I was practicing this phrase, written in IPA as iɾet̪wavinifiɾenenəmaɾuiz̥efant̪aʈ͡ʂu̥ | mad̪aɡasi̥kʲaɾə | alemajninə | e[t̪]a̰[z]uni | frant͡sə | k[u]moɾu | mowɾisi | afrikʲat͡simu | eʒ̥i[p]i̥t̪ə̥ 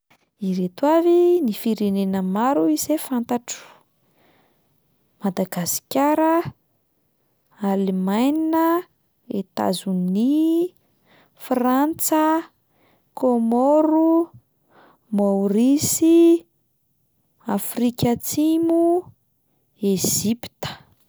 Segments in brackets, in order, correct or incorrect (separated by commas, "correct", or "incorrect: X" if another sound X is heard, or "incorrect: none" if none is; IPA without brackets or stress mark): correct, correct, incorrect: o, correct